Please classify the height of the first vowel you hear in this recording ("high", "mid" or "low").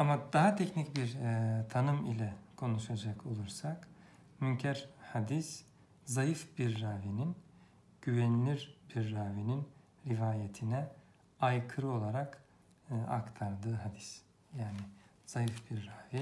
low